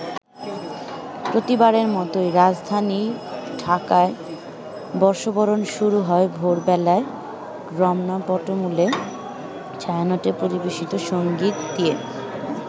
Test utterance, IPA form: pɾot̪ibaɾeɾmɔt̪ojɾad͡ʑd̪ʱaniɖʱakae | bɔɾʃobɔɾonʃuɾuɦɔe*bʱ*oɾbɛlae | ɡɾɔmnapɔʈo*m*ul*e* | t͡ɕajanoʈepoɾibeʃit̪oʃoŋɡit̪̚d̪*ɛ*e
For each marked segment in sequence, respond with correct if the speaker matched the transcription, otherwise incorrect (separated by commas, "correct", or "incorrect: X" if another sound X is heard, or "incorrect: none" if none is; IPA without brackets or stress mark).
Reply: correct, correct, correct, incorrect: i